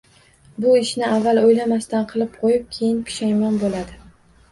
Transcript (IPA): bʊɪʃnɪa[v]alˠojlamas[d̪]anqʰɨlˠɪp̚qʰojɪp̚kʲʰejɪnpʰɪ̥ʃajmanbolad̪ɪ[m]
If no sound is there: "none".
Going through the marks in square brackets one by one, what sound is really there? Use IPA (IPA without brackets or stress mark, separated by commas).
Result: vː, t̪, none